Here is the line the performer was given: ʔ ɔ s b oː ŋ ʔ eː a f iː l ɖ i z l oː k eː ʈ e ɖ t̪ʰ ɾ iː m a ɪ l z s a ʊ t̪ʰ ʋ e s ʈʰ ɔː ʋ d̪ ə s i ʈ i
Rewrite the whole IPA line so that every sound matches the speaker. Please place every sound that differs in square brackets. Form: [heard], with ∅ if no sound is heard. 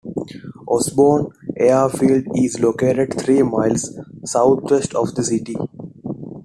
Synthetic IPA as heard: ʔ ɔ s b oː [n] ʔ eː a f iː l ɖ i z l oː k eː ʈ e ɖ t̪ʰ ɾ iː m a ɪ l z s a ʊ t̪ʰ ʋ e s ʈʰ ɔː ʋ d̪ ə s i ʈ i